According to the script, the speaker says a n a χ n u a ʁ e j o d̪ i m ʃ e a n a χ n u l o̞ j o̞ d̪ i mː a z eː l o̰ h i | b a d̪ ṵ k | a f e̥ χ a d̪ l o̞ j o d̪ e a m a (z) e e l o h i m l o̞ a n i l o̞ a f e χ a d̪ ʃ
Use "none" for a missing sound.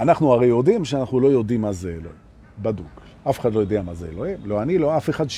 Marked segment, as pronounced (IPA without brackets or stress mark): z